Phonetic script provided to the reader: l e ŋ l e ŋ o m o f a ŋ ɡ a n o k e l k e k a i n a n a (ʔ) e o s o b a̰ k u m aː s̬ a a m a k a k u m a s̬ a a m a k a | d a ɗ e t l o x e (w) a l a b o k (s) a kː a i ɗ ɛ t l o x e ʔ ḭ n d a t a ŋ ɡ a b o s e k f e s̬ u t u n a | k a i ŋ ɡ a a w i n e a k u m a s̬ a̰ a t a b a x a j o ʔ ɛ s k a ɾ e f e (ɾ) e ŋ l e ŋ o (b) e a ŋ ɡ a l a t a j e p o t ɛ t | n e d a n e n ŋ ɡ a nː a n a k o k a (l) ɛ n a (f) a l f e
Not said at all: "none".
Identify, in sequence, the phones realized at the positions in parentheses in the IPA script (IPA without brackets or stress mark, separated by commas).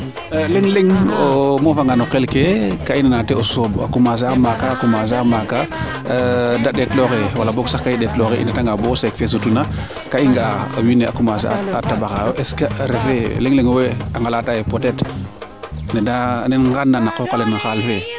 t, w, s, l, w, l, x